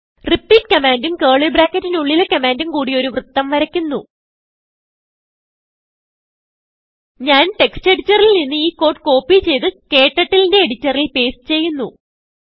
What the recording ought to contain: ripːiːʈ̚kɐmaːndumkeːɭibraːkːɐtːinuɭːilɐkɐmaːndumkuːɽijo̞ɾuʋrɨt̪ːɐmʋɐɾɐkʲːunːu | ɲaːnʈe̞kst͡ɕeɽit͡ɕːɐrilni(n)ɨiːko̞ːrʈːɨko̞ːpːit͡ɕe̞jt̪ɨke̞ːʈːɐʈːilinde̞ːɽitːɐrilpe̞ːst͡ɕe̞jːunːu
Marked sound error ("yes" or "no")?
yes